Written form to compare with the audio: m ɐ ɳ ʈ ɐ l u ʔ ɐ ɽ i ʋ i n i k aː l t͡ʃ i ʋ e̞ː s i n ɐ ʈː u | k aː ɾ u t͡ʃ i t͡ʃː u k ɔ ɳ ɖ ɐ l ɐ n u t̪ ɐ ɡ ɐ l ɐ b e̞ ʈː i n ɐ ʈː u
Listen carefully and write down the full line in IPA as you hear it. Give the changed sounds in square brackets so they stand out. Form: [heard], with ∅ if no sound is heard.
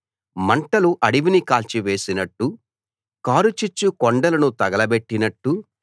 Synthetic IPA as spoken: m ɐ ɳ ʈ ɐ l u ʔ ɐ ɽ i ʋ i n i k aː l t͡ʃ i ʋ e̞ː s i n ɐ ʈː u | k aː ɾ u t͡ʃ i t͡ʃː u k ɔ ɳ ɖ ɐ l ɐ n u t̪ ɐ ɡ ɐ l ɐ b e̞ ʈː i n ɐ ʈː u